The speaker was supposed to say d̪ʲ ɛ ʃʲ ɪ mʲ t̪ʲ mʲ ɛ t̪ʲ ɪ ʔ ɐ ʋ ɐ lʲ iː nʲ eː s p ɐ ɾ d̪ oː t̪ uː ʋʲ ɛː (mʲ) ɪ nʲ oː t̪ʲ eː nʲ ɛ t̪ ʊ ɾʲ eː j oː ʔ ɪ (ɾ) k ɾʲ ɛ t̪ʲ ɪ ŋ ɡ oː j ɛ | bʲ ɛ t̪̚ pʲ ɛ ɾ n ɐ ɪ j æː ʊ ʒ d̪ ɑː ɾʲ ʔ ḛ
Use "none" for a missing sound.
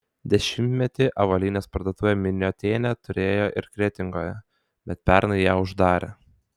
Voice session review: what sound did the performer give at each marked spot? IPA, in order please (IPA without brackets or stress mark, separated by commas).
mʲ, ɾ